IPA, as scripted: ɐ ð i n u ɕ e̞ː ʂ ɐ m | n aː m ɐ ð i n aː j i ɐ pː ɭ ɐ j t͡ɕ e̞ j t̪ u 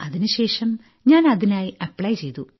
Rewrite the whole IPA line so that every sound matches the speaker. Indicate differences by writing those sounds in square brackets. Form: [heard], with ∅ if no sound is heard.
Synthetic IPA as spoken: ɐ ð i n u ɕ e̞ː ʂ ɐ m | [ɲ] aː [n] ɐ ð i n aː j i ɐ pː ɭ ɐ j t͡ɕ e̞ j t̪ u